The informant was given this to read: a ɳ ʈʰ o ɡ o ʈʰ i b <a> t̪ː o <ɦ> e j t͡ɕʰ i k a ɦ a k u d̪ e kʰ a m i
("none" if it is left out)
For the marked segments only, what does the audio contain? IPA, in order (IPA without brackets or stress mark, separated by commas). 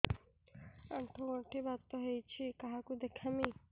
a, ɦ